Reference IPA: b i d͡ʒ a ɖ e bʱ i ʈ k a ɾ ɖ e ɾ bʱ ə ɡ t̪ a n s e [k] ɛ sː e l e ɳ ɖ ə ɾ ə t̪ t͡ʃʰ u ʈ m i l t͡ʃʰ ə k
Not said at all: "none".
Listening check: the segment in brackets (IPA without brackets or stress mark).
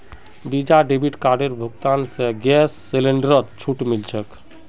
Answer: ɡ